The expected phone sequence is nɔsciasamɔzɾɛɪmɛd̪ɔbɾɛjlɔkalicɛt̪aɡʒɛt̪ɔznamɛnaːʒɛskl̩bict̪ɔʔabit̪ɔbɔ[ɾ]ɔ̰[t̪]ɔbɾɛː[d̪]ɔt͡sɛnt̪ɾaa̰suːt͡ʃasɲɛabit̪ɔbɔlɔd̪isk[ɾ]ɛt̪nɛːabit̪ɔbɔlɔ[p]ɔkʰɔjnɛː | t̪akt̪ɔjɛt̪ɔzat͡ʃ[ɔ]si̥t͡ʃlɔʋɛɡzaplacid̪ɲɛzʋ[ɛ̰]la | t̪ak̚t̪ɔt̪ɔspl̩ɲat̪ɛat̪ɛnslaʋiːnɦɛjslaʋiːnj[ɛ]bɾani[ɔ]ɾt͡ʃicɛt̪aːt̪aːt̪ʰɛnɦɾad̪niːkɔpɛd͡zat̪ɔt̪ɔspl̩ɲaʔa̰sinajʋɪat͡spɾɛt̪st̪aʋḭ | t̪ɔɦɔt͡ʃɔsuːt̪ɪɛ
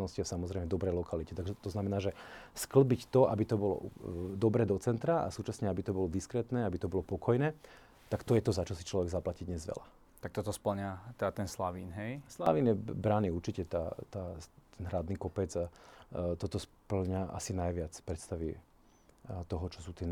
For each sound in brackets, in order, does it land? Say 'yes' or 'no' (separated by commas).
no, no, yes, yes, yes, yes, yes, yes, no